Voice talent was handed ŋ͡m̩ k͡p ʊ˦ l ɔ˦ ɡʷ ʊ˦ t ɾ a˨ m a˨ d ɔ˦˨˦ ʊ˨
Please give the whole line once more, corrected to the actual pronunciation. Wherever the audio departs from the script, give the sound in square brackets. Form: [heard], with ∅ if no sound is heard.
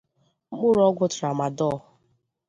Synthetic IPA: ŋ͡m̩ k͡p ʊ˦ [ɾ] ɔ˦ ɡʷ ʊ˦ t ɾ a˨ m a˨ d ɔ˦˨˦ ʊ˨

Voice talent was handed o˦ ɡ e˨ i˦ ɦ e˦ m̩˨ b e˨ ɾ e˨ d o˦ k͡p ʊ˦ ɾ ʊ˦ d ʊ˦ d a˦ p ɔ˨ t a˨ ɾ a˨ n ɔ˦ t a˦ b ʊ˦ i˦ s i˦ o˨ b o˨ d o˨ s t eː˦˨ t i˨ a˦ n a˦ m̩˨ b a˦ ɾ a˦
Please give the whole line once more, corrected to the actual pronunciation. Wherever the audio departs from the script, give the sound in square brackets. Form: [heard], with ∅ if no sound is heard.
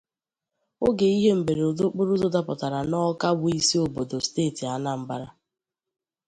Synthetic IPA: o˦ ɡ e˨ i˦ ɦ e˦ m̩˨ b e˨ ɾ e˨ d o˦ k͡p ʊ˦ ɾ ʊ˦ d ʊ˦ d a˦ p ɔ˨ t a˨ ɾ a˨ n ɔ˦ [k] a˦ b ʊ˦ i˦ s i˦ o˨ b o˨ d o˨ s t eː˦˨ t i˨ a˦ n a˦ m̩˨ b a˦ ɾ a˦

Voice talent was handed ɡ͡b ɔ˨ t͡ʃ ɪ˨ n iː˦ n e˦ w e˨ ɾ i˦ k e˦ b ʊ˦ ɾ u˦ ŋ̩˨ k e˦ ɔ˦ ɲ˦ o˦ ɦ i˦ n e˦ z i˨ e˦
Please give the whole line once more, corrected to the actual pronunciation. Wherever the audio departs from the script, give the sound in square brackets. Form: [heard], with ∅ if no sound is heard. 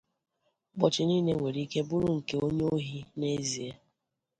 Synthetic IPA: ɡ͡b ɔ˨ t͡ʃ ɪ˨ n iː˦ n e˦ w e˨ ɾ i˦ k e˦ b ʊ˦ ɾ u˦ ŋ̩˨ k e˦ [o˦] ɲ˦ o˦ ɦ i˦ n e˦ z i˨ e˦

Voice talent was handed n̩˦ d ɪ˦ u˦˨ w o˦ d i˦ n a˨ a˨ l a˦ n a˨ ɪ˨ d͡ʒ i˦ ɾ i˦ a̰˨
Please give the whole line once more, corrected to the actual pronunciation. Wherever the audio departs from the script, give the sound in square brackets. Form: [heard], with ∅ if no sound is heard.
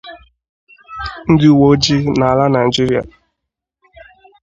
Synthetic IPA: n̩˦ d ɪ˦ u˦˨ w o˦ [d͡ʒ] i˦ n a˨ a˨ l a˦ n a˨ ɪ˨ d͡ʒ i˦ ɾ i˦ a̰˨

